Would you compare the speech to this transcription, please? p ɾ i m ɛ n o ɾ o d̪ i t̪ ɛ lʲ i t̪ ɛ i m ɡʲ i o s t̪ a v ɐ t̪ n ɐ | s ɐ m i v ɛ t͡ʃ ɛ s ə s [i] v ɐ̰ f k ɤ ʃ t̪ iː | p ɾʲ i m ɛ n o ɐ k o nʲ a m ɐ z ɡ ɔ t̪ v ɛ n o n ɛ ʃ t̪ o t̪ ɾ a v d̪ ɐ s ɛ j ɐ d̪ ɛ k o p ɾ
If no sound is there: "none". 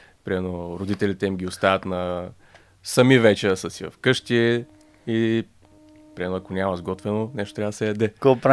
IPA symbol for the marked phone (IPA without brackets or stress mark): i